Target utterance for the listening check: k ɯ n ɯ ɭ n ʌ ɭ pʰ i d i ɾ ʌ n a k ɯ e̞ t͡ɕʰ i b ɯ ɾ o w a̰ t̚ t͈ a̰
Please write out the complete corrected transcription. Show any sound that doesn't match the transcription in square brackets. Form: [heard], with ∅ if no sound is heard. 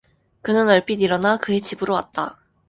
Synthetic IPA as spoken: k ɯ n ɯ [∅] n ʌ ɭ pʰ i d i ɾ ʌ n a k ɯ e̞ [t͡ɕ] i b ɯ ɾ o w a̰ t̚ t͈ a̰